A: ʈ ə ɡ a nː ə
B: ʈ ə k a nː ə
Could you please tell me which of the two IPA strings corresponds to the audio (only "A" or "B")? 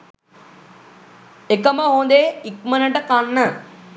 B